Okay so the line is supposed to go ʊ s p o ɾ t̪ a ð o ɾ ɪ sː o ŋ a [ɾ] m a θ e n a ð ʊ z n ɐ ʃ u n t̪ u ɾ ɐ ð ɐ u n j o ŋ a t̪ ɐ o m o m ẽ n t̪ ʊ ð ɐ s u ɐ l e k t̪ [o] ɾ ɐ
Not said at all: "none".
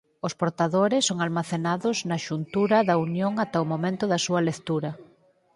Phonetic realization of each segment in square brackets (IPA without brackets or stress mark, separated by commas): l, u